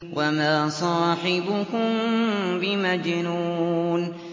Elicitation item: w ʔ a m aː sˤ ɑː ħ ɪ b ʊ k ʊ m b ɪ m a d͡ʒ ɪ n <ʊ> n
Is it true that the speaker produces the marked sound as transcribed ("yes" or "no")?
no